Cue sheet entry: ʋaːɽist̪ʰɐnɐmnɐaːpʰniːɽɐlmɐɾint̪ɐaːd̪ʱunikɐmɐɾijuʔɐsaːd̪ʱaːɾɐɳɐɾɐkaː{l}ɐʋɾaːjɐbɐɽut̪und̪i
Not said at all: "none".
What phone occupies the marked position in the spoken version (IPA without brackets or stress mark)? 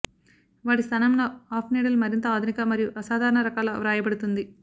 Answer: l